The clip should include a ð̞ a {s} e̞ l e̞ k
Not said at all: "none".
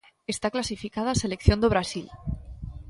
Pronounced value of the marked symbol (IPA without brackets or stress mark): s